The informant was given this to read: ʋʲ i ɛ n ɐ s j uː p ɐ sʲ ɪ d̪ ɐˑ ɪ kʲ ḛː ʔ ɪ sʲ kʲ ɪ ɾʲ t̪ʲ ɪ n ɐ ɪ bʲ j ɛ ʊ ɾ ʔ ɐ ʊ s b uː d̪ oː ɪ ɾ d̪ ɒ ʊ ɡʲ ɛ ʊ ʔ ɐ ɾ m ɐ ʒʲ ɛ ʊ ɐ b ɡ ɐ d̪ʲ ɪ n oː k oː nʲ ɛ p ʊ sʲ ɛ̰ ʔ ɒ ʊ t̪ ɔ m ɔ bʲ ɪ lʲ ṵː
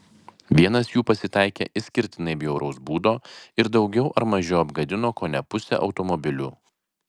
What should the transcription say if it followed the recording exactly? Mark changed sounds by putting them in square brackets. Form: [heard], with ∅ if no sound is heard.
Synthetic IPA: ʋʲ i ɛ n ɐ s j uː p ɐ sʲ ɪ [t̪] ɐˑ ɪ kʲ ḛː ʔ ɪ sʲ kʲ ɪ ɾʲ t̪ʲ ɪ n ɐ ɪ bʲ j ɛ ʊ ɾ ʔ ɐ ʊ s b uː d̪ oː ɪ ɾ d̪ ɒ ʊ ɡʲ ɛ ʊ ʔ ɐ ɾ m ɐ ʒʲ ɛ ʊ ɐ b ɡ ɐ d̪ʲ ɪ n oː k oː nʲ ɛ p ʊ sʲ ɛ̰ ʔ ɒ ʊ t̪ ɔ m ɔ bʲ ɪ lʲ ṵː